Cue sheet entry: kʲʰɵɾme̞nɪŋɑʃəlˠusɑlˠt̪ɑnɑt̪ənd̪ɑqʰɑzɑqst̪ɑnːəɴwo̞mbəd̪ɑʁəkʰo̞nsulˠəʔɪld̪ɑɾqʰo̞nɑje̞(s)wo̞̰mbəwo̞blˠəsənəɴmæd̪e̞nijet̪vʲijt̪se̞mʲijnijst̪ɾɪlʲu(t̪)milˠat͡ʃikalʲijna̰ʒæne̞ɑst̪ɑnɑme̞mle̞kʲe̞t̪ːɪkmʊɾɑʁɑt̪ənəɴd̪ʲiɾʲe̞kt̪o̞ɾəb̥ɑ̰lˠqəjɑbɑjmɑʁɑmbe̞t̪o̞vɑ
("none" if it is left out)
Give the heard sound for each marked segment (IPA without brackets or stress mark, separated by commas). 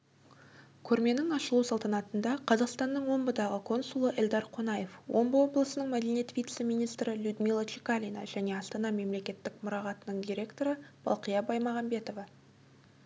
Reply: f, d̪